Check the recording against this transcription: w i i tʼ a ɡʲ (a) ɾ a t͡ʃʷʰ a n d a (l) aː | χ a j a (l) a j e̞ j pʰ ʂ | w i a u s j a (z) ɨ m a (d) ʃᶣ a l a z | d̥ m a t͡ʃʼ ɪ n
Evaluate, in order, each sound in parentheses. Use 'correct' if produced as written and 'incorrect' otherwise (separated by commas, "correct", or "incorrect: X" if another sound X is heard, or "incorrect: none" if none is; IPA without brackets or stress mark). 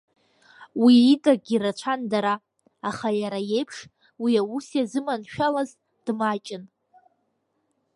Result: incorrect: i, incorrect: ɾ, incorrect: ɾ, correct, incorrect: n